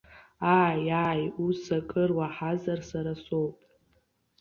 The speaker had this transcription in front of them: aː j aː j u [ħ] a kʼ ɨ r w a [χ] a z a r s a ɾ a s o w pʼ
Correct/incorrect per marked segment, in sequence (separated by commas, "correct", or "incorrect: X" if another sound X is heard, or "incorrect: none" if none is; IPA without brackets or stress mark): incorrect: s, incorrect: ħ